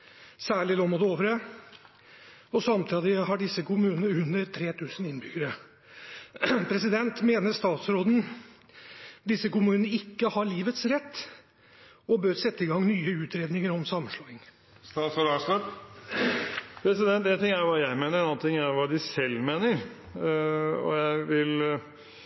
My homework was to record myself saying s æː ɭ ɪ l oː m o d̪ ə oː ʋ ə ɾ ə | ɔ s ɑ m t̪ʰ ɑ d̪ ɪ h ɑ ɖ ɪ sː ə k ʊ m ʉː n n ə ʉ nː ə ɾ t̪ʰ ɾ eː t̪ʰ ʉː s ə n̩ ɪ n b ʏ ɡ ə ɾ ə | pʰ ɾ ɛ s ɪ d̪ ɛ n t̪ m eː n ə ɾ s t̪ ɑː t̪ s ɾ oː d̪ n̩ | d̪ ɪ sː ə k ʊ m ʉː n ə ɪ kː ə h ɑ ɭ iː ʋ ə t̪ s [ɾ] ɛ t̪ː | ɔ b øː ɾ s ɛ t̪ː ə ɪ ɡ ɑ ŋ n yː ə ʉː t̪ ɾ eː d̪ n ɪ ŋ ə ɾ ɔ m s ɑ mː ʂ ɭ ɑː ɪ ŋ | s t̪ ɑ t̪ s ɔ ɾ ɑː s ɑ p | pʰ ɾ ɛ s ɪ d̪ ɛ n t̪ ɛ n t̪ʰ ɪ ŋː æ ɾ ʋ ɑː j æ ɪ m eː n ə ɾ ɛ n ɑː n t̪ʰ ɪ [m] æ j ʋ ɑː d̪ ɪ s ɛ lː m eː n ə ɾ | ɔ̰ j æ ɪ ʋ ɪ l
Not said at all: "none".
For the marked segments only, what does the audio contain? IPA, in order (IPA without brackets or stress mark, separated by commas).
ɾ, ŋ